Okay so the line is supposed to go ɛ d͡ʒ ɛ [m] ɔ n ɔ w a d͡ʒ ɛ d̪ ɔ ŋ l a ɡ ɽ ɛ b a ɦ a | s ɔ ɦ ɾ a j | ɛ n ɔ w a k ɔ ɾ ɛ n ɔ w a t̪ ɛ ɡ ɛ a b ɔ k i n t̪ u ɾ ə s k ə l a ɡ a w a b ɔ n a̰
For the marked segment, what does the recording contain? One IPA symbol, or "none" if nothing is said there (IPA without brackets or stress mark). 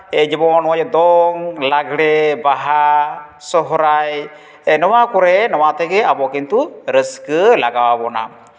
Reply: b